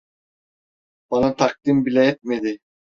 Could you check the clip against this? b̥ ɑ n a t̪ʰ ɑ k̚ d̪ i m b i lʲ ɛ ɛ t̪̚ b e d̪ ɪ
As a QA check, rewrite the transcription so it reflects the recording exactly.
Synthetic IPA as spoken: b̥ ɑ n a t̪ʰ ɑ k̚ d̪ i m b i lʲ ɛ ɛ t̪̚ m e d̪ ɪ